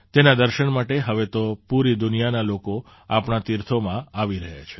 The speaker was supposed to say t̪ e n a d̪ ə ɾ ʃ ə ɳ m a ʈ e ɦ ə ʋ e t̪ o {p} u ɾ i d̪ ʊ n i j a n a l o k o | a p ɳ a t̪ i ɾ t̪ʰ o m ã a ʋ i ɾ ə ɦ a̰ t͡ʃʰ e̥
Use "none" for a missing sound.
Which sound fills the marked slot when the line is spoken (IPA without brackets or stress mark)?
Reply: p